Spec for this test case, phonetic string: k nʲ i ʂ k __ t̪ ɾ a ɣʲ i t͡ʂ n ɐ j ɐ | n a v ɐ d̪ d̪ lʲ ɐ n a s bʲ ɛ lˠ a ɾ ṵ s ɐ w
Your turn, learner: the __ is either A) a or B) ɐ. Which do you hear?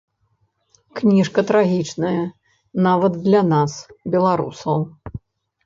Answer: B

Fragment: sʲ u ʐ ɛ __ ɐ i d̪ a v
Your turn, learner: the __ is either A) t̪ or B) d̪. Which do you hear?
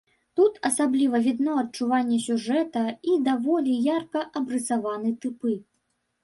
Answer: A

